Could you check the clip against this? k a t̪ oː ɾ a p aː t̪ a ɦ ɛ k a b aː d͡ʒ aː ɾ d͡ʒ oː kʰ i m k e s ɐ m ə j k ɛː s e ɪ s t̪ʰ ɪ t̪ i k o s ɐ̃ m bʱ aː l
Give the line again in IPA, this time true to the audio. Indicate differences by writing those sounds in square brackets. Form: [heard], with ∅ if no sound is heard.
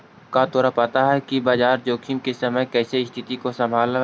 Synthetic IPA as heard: k a t̪ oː ɾ a p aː t̪ a ɦ ɛ k [i] b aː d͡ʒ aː ɾ d͡ʒ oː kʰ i m k e s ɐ m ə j k ɛː s e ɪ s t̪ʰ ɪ t̪ i k o s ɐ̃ m bʱ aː l